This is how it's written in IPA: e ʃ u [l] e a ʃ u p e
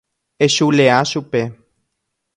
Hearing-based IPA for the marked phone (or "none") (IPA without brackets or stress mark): l